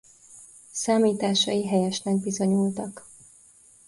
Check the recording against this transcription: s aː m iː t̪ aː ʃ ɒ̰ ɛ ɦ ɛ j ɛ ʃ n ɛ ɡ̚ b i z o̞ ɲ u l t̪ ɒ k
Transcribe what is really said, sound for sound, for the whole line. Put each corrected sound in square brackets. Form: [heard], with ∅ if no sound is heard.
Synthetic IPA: s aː m iː t̪ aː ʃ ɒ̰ [i] ɦ ɛ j ɛ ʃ n ɛ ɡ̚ b i z o̞ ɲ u l t̪ ɒ k